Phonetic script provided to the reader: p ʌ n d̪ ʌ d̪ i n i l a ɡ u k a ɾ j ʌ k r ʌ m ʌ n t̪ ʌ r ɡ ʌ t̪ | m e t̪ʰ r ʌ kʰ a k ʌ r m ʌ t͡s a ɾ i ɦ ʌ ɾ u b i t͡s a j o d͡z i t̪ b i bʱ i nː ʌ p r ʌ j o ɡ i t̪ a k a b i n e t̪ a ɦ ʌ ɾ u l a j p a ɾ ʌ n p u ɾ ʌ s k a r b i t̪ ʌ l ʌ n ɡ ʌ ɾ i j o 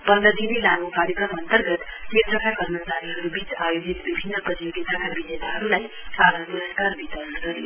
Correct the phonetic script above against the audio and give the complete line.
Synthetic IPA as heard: p ʌ n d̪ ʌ d̪ i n i l a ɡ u k a ɾ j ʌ k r ʌ m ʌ n t̪ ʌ r ɡ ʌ t̪ | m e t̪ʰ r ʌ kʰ a k ʌ r m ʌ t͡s a ɾ i ɦ ʌ ɾ u b i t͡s a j o d͡z i t̪ b i bʱ i nː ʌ p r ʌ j o ɡ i t̪ a k a b i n e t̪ a ɦ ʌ ɾ u l a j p a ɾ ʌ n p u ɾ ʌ s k a r b i t̪ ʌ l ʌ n ɡ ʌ ɾ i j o